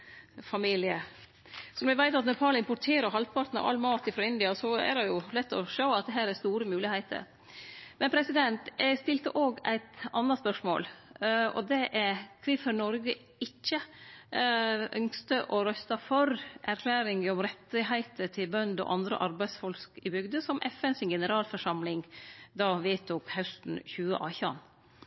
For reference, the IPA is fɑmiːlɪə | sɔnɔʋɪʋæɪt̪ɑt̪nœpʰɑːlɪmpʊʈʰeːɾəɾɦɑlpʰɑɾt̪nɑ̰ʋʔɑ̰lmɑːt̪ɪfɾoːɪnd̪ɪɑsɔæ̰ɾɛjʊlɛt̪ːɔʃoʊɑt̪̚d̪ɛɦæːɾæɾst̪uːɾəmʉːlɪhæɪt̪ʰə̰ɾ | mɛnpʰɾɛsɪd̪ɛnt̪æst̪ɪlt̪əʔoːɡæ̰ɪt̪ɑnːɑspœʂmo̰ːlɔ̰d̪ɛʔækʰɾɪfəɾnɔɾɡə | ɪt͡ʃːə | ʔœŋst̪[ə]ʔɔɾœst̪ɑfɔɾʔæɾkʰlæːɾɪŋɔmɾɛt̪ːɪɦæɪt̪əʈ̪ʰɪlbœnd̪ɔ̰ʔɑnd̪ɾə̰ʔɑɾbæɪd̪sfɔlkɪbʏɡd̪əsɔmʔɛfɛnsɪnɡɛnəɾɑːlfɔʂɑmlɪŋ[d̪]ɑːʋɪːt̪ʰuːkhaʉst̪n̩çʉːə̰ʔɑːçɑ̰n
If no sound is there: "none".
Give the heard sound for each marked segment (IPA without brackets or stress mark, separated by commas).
ə, d̪